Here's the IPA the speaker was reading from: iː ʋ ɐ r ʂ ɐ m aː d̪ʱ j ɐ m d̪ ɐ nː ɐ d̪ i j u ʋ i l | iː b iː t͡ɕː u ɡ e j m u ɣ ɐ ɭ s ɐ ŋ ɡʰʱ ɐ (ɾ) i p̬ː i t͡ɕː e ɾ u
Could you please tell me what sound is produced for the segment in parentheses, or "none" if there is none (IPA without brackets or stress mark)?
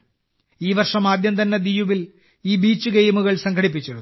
ɽ